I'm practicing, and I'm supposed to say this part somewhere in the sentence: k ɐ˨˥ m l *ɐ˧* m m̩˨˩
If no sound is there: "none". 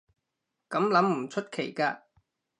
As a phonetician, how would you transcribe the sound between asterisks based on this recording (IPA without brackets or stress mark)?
ɐ˨˥